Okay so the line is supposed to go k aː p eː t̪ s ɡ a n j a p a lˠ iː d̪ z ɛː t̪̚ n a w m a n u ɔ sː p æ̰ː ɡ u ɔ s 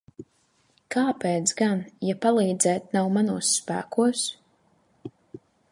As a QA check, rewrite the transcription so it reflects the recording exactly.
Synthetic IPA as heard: k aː p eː t̪ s ɡ a n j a p a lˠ iː d̪ z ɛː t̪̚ n a w m a n u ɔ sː p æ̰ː k u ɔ s